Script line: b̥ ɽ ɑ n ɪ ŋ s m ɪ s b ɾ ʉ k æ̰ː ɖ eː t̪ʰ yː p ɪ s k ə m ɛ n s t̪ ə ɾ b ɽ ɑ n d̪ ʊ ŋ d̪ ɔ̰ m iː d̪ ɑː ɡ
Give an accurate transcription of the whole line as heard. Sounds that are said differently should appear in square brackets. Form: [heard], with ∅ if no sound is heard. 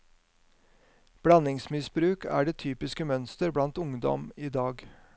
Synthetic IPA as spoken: b̥ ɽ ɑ n ɪ ŋ s m ɪ s b ɾ [ʉː] k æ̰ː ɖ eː t̪ʰ yː p ɪ s k ə m [œ] n s t̪ ə ɾ b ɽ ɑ n [t̪] ʊ ŋ d̪ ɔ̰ m iː d̪ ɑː ɡ